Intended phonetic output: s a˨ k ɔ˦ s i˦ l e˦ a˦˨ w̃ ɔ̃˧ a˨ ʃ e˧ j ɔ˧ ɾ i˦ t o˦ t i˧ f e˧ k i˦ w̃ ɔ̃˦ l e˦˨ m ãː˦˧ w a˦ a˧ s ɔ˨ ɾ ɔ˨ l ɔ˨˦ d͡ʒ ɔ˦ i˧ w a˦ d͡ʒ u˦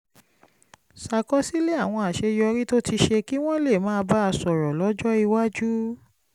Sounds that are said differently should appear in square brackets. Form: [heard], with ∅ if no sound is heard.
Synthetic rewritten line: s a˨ k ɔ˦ s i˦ l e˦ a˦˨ w̃ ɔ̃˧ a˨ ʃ e˧ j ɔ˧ ɾ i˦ t o˦ t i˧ [ʃ] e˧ k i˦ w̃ ɔ̃˦ l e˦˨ m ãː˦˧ [b] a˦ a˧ s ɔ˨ ɾ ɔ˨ l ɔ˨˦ d͡ʒ ɔ˦ i˧ w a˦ d͡ʒ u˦